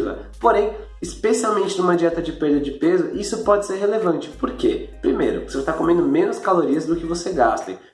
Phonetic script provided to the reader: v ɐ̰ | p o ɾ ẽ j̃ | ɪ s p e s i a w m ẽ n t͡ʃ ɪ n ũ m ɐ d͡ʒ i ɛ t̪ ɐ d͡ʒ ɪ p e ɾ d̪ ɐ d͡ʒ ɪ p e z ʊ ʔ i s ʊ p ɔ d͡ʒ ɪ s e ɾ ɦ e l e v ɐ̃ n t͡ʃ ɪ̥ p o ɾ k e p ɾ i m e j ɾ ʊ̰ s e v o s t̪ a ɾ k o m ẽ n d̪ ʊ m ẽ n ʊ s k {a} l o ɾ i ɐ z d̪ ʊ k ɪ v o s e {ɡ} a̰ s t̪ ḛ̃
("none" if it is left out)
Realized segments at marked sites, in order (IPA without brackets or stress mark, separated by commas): a, ɡ